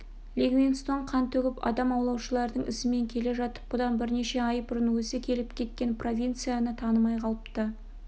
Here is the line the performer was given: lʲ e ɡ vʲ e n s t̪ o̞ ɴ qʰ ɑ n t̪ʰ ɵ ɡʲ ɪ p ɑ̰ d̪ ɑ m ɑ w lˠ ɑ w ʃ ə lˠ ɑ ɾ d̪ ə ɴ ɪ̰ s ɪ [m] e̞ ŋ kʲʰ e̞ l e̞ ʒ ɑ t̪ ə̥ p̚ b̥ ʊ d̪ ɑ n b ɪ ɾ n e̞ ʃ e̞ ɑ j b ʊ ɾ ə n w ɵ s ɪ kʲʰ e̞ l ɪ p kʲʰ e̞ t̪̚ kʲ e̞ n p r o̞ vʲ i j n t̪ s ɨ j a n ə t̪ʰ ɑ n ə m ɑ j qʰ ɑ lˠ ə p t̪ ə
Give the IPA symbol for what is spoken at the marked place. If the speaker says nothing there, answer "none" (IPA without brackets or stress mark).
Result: m